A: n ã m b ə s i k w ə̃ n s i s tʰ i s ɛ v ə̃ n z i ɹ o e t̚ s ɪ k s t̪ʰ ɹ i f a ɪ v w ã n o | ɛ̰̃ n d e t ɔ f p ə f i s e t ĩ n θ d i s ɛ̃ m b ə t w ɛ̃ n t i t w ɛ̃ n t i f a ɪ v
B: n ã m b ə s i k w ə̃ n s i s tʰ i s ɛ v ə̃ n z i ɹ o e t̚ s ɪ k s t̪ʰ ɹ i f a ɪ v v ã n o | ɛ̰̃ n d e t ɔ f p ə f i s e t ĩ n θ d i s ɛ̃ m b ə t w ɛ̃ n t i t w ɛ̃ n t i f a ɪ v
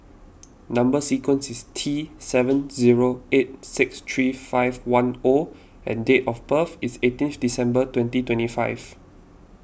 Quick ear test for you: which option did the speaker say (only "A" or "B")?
A